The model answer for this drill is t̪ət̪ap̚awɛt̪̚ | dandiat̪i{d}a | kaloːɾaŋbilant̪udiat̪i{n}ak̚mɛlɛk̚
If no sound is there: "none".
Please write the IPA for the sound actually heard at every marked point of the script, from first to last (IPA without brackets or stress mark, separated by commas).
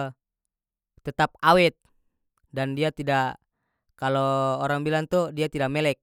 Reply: d, d